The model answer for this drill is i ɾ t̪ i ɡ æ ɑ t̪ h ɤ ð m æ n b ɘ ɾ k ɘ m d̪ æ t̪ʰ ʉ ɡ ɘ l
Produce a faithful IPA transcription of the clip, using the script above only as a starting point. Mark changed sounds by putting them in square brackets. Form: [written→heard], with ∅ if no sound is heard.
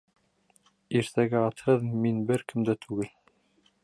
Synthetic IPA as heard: i ɾ t̪ [i→æ] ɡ æ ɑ t̪ h ɤ ð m [æ→i] n b ɘ ɾ k ɘ m d̪ æ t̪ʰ ʉ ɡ ɘ l